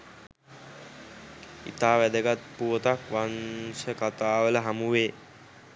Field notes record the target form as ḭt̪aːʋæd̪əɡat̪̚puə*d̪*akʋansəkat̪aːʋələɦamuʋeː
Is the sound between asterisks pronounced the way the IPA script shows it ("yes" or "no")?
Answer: no